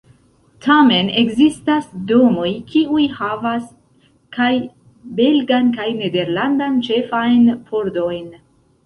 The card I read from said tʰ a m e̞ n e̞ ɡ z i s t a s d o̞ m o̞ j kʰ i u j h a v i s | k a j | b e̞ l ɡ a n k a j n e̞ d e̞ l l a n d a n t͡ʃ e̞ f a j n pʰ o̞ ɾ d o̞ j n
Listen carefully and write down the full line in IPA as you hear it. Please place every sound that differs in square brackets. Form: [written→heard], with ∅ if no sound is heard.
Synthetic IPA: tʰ a m e̞ n e̞ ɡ z i s t a s d o̞ m o̞ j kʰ i u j h a v [i→a] s | k a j | b e̞ l ɡ a n k a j n e̞ d e̞ [l→ɾ] l a n d a n t͡ʃ e̞ f a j n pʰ o̞ ɾ d o̞ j n